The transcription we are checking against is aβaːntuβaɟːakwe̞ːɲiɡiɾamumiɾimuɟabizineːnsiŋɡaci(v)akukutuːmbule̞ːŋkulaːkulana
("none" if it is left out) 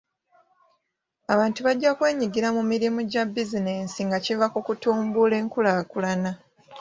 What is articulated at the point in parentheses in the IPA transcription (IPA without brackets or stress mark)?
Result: v